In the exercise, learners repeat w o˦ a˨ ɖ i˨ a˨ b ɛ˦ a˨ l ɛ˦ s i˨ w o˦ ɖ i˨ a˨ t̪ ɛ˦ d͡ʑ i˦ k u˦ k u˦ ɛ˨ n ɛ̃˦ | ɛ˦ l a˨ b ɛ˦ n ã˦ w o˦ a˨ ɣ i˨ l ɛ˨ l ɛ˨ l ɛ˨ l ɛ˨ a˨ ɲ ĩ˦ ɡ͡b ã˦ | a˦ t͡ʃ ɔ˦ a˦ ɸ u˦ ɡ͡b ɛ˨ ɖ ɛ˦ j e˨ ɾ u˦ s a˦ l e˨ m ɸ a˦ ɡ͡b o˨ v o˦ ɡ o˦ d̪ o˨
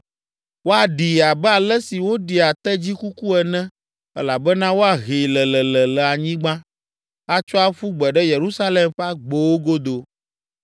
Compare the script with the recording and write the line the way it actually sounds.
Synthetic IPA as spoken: w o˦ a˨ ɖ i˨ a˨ b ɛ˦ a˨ l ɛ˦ s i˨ w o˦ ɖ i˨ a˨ t̪ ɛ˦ d͡ʑ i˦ k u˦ k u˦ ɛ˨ n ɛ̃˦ | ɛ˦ l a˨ b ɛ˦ n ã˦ w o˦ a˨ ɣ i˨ l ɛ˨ l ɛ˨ l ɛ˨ l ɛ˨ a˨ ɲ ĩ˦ ɡ͡b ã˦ | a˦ t͡ʃ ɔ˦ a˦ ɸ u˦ ɡ͡b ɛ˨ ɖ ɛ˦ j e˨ ɾ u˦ s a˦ l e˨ m ɸ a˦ ɡ͡b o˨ w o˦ ɡ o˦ d̪ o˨